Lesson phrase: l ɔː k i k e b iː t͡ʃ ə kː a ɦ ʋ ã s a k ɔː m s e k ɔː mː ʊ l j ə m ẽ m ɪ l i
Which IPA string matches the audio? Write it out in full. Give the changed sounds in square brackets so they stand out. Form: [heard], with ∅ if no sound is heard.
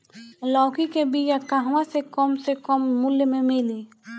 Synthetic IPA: l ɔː k i k e b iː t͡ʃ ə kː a ɦ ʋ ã s [e] k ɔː m s e k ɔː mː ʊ l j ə m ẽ m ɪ l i